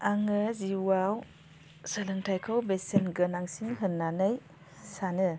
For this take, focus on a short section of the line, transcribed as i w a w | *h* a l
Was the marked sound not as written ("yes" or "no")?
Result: yes